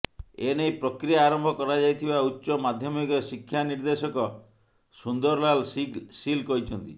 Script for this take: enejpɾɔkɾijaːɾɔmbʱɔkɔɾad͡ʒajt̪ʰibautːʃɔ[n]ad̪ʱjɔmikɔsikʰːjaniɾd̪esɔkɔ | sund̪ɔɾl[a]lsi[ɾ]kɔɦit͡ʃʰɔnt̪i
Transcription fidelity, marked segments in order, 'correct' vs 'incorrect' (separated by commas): incorrect, correct, incorrect